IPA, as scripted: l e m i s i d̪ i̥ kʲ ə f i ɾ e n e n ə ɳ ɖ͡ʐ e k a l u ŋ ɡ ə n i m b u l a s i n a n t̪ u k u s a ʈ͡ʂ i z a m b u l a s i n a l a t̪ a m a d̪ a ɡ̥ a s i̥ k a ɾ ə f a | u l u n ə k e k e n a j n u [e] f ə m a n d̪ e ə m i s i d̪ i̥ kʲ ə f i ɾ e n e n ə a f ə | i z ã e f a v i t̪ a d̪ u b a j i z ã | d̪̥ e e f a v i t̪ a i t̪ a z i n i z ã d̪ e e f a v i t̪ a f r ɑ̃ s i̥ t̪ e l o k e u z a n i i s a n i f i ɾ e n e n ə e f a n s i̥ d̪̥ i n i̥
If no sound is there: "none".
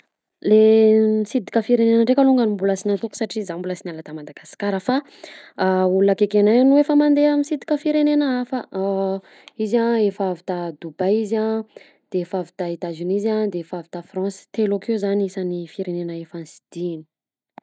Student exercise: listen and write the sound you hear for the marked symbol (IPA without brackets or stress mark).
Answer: e